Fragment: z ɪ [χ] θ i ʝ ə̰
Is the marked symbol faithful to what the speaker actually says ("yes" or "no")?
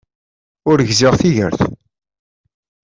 no